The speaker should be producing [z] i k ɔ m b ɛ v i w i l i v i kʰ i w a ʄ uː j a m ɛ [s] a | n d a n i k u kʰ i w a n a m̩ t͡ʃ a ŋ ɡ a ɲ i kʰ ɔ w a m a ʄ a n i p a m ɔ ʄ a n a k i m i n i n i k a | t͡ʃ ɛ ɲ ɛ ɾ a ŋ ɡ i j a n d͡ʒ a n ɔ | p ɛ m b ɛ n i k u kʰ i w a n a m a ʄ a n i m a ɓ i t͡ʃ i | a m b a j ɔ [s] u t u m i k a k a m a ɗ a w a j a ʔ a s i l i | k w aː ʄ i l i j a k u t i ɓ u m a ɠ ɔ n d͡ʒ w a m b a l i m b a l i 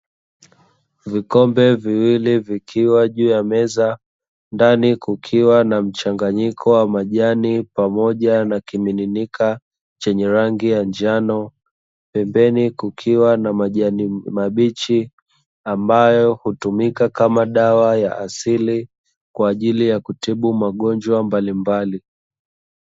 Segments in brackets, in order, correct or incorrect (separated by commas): incorrect, incorrect, incorrect